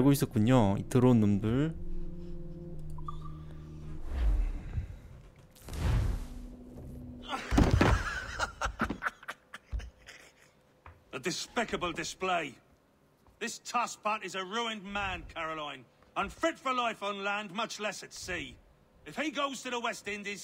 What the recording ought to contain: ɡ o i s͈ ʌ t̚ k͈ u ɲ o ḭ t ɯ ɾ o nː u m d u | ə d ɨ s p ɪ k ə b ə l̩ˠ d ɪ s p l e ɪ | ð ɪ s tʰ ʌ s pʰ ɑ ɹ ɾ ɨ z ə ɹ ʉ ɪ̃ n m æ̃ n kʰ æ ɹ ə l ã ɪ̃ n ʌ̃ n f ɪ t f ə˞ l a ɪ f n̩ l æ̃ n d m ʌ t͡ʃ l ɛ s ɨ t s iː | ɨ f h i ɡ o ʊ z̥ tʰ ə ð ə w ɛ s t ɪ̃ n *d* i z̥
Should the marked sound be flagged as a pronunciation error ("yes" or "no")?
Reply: no